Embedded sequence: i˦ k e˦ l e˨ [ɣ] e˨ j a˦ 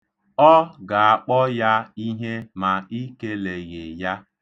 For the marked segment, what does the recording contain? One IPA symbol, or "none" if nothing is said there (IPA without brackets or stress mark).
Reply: ɣ